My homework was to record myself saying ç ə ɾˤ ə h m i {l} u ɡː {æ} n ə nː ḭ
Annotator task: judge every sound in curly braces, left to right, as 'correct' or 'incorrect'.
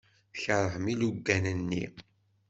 correct, correct

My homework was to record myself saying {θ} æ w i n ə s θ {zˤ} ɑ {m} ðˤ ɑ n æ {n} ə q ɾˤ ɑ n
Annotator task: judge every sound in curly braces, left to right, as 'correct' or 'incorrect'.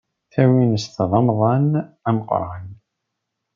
correct, incorrect, correct, incorrect

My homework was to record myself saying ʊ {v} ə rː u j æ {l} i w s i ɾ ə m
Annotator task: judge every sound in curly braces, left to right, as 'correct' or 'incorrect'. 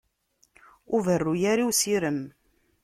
correct, incorrect

